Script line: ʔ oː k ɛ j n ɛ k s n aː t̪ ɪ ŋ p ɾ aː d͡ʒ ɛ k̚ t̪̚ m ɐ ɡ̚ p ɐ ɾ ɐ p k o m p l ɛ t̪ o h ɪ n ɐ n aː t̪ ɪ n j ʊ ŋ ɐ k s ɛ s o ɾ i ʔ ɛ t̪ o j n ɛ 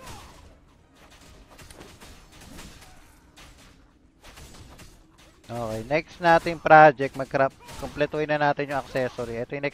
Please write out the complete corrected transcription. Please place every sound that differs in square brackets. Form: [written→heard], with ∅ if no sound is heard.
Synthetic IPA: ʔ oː k ɛ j n ɛ k s n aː t̪ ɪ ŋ p ɾ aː d͡ʒ ɛ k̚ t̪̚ m ɐ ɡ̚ [p→k] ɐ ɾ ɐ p k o m p l ɛ t̪ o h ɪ n ɐ n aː t̪ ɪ n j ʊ ŋ ɐ k s ɛ s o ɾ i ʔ ɛ t̪ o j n ɛ